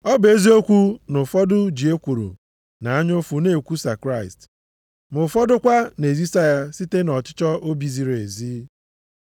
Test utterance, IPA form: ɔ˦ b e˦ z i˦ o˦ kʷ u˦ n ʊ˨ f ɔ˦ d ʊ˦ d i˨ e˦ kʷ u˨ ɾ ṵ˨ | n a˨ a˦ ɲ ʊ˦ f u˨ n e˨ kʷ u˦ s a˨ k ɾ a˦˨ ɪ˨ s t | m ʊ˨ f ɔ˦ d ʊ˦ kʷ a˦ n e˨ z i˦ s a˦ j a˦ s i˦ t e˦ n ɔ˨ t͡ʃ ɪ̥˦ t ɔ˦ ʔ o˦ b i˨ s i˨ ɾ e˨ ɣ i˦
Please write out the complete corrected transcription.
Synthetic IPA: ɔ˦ b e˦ z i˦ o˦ kʷ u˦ n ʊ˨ f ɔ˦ d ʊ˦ d͡ʒ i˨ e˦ kʷ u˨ ɾ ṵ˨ | n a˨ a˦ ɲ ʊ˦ f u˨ n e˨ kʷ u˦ s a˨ k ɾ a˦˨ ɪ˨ s t | m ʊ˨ f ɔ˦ d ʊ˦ kʷ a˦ n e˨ z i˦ s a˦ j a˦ s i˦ t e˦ n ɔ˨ t͡ʃ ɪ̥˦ t͡ʃ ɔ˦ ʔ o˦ b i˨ z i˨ ɾ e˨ z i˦